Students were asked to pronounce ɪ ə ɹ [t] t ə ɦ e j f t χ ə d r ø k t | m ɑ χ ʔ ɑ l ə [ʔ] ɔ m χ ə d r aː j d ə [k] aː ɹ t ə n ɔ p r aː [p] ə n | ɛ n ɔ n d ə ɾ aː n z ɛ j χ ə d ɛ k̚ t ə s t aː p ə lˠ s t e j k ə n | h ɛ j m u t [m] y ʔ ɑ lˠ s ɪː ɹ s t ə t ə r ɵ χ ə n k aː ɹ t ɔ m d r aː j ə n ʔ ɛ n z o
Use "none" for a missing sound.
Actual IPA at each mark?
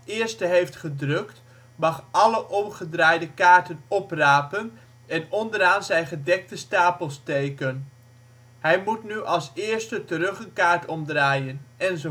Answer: s, ʔ, k, p, n

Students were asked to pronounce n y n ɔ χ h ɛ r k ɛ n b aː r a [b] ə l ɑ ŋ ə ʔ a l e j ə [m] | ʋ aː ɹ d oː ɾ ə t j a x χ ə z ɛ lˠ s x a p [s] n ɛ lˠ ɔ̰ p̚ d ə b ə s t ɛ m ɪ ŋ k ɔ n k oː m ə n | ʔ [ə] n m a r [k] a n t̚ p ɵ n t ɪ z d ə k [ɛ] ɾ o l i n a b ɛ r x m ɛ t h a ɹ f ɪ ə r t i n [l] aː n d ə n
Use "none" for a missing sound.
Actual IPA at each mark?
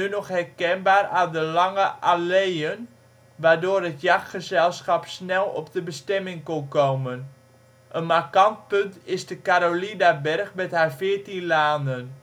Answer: d, n, s, ə, k, a, l

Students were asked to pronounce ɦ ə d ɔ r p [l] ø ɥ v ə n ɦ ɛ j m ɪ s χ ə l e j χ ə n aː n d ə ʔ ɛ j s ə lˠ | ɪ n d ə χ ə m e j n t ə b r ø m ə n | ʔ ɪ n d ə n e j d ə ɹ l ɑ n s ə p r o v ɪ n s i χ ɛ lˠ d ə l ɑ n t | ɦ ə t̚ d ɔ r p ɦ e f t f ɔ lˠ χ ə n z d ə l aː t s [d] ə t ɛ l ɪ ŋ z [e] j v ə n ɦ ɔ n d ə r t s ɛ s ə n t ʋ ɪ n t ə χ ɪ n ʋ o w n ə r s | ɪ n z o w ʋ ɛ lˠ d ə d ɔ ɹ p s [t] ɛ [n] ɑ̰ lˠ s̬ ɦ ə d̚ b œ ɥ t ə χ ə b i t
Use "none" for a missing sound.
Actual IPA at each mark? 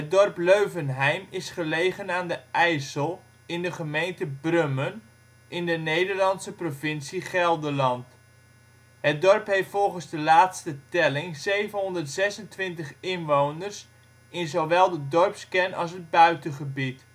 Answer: l, t, e, k, n

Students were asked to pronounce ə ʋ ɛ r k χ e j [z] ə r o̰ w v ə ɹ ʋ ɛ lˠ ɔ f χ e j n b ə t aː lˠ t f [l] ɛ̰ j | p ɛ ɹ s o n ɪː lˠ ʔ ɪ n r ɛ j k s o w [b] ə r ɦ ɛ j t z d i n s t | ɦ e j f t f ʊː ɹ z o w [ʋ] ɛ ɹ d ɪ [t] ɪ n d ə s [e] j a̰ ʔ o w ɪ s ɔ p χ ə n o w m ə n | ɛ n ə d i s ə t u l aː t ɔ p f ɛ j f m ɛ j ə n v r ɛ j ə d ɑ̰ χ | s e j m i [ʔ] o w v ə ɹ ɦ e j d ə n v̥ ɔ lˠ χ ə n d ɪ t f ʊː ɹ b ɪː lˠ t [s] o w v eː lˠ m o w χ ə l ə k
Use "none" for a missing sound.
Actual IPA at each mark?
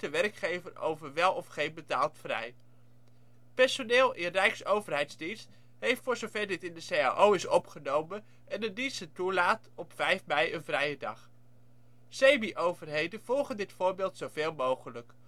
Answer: v, r, v, v, t, e, ʔ, s

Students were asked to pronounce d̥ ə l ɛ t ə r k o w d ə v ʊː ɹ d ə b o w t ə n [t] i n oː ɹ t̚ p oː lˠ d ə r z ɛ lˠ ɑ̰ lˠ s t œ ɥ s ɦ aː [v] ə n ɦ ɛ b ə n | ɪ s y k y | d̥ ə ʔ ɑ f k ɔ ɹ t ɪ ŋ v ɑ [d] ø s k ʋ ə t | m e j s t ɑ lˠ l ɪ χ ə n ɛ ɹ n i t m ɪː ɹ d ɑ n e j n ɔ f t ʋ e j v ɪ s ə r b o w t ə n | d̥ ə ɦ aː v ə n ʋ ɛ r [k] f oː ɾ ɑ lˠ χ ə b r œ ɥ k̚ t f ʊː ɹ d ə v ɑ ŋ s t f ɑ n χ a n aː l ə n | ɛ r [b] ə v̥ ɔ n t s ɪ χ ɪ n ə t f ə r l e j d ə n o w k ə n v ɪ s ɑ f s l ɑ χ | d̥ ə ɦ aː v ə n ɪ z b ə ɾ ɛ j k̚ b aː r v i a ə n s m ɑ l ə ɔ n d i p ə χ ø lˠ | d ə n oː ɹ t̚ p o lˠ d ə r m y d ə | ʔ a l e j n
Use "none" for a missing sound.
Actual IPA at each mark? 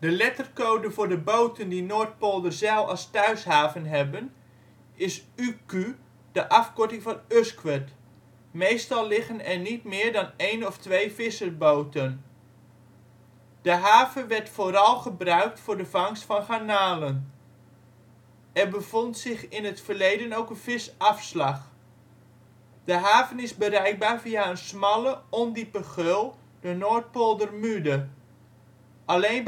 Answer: d, v, n, t, b

